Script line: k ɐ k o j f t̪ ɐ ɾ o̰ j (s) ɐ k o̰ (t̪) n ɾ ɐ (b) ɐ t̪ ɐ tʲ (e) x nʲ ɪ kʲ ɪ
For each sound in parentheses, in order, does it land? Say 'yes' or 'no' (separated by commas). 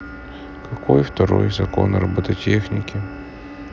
no, no, yes, yes